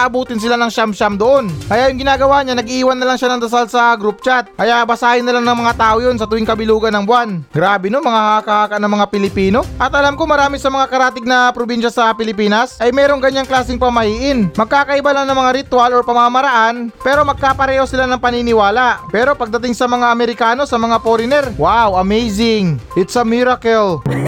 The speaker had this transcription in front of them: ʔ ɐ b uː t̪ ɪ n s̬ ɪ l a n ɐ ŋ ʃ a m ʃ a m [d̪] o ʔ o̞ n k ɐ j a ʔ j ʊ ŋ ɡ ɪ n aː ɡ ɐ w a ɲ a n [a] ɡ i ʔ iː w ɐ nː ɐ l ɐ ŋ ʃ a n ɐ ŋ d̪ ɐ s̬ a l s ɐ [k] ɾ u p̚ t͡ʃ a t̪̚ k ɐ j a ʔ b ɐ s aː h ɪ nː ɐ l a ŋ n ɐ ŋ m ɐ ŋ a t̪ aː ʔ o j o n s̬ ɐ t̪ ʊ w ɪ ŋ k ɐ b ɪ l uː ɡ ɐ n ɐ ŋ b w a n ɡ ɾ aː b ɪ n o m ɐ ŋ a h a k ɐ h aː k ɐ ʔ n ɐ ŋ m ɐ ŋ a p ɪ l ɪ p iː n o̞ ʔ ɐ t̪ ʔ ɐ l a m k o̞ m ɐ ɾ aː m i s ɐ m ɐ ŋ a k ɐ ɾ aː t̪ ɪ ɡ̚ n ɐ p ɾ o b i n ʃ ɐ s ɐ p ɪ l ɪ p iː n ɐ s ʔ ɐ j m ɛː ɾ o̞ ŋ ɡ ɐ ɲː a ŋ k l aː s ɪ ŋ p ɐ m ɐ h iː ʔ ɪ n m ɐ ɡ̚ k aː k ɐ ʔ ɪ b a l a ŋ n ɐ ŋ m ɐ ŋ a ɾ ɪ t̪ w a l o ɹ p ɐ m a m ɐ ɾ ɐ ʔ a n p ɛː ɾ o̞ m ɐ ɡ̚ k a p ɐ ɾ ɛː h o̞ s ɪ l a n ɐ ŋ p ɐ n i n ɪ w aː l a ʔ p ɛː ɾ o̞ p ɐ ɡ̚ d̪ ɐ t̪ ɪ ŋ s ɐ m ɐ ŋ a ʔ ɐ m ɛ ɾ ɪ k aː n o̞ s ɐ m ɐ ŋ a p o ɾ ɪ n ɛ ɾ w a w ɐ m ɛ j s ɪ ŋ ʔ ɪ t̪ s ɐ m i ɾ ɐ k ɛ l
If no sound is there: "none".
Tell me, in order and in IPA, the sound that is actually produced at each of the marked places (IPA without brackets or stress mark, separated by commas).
d̪, ɐ, ɡ